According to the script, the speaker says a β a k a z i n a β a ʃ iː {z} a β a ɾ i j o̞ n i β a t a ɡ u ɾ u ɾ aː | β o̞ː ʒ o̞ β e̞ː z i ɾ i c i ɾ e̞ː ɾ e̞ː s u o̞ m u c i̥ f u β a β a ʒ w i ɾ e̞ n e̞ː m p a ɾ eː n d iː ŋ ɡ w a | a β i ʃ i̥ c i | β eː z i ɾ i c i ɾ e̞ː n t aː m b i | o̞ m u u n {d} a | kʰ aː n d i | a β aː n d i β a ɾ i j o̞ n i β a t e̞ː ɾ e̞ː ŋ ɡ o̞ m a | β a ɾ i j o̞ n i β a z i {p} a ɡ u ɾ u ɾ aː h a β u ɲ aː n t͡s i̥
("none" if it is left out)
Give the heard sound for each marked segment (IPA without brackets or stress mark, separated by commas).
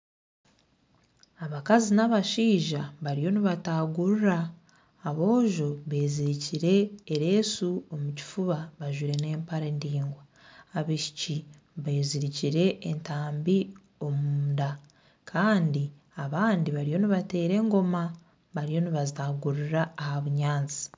ʒ, d, t